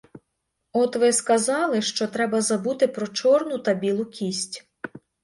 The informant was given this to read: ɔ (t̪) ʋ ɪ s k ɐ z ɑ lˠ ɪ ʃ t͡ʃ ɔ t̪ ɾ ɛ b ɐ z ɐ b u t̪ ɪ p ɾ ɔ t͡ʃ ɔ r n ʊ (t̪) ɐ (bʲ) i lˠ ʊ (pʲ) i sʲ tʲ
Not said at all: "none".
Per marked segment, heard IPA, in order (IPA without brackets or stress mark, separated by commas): t̪, t̪, bʲ, kʲ